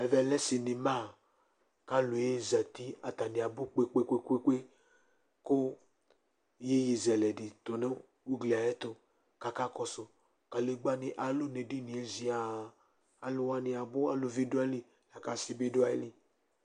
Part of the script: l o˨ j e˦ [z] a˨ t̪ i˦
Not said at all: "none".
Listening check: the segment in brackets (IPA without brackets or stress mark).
z